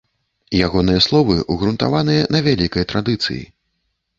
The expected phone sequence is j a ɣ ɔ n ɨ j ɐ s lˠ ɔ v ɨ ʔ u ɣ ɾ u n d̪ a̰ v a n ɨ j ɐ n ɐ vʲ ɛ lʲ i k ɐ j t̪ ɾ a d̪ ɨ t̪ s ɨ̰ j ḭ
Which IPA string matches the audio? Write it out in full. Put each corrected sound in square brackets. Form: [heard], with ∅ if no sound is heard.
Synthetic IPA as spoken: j a ɣ ɔ n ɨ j ɐ s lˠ ɔ v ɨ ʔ u ɣ ɾ u n [t̪] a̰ v a n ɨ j ɐ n ɐ vʲ [a] lʲ i k ɐ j t̪ ɾ a d̪ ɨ t̪ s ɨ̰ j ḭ